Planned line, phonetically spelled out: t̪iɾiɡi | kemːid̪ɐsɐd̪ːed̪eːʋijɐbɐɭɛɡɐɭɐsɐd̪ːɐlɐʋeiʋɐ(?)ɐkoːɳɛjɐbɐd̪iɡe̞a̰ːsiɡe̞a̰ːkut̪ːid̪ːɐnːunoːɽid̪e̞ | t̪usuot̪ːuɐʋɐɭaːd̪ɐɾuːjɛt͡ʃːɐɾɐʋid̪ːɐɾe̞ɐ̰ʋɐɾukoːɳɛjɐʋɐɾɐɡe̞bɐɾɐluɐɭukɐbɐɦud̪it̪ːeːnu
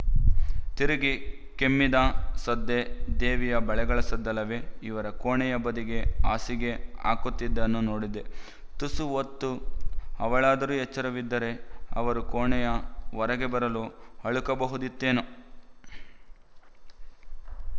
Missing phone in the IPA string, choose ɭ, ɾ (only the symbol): ɾ